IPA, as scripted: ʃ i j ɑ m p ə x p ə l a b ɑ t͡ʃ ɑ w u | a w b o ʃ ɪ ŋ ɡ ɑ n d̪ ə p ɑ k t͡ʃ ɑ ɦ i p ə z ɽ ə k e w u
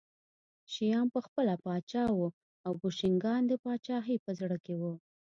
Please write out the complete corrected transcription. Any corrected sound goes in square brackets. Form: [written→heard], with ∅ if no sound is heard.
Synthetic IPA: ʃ i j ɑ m p ə x p ə l a [b→p] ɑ t͡ʃ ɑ w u | a w b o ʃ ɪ ŋ ɡ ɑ n d̪ ə p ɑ [k→∅] t͡ʃ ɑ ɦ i p ə z ɽ ə k e w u